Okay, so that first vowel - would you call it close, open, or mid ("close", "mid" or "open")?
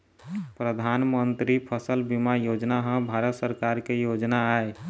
mid